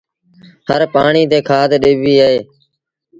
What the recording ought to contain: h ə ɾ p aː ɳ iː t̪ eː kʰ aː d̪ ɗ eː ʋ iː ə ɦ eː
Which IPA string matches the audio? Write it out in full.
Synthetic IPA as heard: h ə ɾ p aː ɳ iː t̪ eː kʰ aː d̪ ɗ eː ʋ iː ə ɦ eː

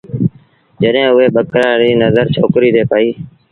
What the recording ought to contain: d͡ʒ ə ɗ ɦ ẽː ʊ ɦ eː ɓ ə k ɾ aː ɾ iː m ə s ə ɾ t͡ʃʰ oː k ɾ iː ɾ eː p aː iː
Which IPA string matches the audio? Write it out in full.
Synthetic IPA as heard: d͡ʒ ə ɗ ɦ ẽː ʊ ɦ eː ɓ ə k ɾ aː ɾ iː n ə z ə ɾ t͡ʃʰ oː k ɾ iː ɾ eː p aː iː

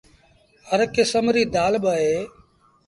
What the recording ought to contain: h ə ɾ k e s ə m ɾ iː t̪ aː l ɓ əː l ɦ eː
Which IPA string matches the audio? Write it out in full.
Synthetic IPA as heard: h ə ɾ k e s ə m ɾ iː d̪ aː l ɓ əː ɦ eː

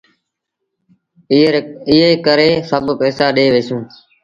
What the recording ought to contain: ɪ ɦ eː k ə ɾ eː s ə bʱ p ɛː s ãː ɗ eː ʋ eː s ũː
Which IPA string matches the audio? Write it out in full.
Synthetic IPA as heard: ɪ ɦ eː k ə ɾ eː s ə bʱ p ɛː s aː ɗ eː ʋ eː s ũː

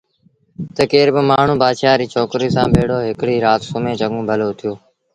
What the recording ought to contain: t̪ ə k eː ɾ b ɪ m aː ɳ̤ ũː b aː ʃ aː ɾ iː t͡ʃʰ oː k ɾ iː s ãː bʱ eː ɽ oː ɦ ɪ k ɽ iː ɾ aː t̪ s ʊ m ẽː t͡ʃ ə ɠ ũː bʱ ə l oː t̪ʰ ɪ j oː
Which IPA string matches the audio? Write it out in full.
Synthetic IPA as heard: t̪ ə k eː ɾ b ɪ m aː ɳ̤ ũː b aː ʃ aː ɾ iː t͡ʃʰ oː k ɾ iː s ãː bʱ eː ɽ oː ɦ ɪ k ɽ iː ɾ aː t̪ s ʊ m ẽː t͡ʃ ə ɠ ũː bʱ ə l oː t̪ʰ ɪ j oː

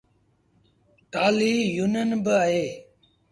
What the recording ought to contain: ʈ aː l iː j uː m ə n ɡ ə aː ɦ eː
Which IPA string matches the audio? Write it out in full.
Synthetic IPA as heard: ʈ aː l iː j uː n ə n b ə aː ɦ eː

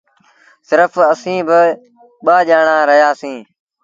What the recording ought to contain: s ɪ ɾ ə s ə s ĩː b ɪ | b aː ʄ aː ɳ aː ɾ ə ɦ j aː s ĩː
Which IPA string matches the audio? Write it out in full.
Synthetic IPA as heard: s ɪ ɾ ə f ə s ĩː b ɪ | ɓ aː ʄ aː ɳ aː ɾ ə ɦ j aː s ĩː

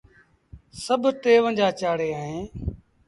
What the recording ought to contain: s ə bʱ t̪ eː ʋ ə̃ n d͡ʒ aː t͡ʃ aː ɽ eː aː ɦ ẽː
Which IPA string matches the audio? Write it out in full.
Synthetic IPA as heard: s ə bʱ t̪ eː ʋ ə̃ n d͡ʒ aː t͡ʃ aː ɽ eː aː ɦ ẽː

